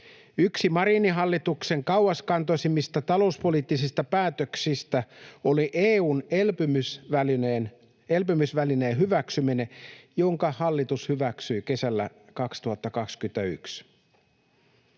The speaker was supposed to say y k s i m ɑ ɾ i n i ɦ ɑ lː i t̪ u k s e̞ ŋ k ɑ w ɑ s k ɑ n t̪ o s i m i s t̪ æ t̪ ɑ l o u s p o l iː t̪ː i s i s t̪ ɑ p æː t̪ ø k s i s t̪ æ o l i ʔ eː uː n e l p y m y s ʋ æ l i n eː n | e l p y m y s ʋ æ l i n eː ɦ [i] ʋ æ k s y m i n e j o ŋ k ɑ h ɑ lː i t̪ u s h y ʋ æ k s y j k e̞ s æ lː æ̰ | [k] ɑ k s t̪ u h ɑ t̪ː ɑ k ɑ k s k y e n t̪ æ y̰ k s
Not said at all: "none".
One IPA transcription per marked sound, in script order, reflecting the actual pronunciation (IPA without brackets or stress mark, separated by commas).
y, k